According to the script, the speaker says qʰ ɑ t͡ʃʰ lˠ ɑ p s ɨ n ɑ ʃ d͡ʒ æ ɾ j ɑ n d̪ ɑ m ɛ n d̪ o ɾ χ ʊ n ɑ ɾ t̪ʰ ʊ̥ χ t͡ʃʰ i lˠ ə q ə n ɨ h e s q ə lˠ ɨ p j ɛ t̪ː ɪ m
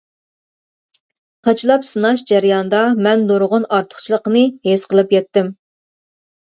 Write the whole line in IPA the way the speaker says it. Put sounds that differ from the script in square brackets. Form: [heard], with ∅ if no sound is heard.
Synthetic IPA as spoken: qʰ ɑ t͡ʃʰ lˠ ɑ p s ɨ n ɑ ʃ d͡ʒ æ ɾ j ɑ n d̪ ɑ m ɛ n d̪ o ɾ [ʁ] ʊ n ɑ ɾ t̪ʰ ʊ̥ χ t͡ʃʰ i lˠ ə q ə n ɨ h e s q ə lˠ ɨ p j ɛ t̪ː ɪ m